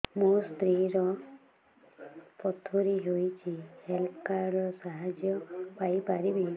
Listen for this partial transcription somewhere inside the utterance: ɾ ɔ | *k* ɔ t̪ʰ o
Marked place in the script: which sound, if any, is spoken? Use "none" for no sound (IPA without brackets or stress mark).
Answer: p